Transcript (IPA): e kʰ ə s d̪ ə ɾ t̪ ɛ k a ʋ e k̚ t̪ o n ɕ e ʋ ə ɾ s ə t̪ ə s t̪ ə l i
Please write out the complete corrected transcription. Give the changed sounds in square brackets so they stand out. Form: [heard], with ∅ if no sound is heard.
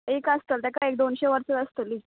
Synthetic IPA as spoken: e [k] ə s [t̪] ə [l] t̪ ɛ k a [∅] e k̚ [d̪] o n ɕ e ʋ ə ɾ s ə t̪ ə s t̪ ə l i